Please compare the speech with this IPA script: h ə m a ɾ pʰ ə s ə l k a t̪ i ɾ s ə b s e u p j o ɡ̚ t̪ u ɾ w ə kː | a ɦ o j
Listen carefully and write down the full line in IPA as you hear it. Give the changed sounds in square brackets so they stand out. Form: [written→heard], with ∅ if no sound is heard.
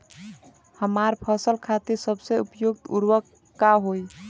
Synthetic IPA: h ə m a ɾ pʰ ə s ə l [k→kʰ] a t̪ i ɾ s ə b s e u p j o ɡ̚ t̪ u ɾ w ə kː | a ɦ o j